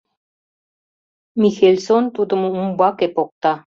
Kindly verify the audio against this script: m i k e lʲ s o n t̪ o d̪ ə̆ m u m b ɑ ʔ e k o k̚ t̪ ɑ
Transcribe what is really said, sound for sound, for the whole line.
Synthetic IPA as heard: m i x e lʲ s o n t̪ u d̪ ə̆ m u m b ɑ k e p o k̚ t̪ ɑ